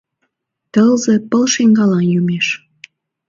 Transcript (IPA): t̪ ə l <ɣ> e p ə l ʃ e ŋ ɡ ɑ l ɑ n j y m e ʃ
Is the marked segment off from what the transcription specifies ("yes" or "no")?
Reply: yes